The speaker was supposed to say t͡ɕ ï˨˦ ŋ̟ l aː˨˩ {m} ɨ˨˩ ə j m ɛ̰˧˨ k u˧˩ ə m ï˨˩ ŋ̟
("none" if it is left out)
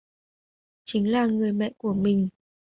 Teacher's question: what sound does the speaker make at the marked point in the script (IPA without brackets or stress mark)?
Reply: ŋ